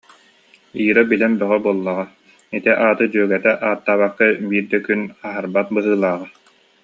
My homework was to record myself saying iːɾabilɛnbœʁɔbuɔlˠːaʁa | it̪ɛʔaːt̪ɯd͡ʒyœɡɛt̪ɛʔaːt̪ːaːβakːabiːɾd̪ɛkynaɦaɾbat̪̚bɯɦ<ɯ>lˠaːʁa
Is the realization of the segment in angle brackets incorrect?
yes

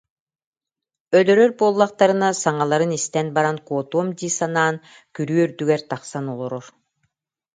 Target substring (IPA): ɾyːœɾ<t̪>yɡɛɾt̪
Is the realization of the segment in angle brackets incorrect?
yes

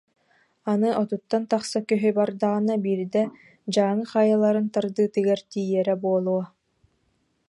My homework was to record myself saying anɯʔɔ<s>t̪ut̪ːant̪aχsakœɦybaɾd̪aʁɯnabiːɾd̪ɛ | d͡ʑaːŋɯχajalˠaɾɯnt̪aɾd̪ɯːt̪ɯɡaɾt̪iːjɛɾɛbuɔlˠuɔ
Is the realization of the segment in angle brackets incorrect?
yes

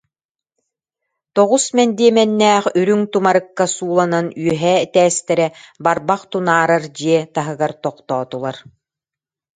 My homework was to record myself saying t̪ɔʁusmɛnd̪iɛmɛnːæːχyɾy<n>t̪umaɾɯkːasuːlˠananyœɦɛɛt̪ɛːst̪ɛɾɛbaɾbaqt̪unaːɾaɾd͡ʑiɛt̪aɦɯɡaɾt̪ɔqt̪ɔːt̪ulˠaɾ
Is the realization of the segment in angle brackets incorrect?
yes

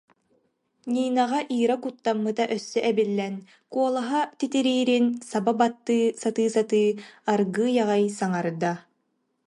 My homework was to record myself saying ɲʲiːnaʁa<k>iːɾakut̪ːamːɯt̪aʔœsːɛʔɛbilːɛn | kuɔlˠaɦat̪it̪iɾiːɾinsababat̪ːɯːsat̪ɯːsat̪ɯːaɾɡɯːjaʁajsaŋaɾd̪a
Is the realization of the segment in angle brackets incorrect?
yes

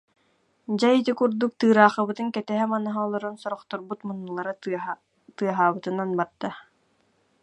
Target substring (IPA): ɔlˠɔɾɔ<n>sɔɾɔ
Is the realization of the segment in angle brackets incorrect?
no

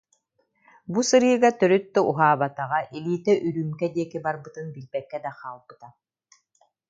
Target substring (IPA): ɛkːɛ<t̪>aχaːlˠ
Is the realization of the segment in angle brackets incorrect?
yes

